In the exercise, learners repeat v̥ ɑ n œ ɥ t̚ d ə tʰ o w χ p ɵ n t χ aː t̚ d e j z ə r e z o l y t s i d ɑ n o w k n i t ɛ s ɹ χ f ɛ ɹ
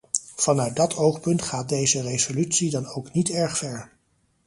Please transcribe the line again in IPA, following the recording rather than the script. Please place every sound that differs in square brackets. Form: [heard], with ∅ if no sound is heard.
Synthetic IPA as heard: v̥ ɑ n œ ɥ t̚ d [ɑ] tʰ o w χ p ɵ n t χ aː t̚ d e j z ə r e z o l y t s i d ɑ n o w k n i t ɛ [∅] ɹ χ f ɛ ɹ